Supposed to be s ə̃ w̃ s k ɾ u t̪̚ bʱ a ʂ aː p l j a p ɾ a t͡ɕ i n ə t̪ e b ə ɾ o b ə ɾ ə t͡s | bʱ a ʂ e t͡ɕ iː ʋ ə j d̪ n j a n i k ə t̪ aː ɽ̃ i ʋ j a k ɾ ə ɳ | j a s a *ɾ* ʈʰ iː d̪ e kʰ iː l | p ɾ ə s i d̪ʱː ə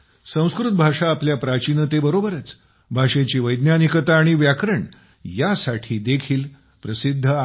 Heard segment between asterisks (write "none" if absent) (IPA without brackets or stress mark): none